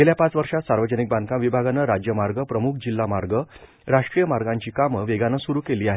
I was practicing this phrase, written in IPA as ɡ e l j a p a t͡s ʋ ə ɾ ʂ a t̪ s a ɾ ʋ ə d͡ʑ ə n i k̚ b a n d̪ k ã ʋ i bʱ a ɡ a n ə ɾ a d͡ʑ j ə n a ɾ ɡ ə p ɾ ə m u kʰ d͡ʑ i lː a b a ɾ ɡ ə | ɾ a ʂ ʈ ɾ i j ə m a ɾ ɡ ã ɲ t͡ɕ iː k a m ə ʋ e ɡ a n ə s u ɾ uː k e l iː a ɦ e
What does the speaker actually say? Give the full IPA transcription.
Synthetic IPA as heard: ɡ e l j a p a t͡s ʋ ə ɾ ʂ a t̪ s a ɾ ʋ ə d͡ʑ ə n i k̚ b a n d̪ k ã ʋ i bʱ a ɡ a n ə ɾ a d͡ʑ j ə m a ɾ ɡ ə p ɾ ə m u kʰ d͡ʑ i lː a m a ɾ ɡ ə | ɾ a ʂ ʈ ɾ i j ə m a ɾ ɡ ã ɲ t͡ɕ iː k a m ə ʋ e ɡ a n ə s u ɾ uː k e l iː a ɦ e